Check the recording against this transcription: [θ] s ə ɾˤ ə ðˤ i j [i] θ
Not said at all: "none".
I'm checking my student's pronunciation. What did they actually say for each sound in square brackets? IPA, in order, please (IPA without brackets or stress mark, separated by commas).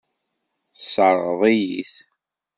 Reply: θ, i